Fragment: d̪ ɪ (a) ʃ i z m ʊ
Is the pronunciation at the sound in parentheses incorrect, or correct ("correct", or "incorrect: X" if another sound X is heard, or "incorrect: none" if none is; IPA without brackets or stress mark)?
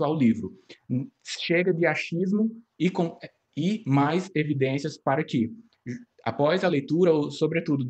correct